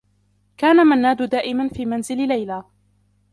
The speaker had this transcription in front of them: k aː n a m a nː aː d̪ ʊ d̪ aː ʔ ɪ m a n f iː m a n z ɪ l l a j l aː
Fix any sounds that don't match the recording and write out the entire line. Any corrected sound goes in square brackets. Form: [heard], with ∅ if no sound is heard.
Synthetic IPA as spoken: k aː n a m a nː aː d̪ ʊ d̪ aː ʔ ɪ m a n f iː m a n z ɪ l l a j l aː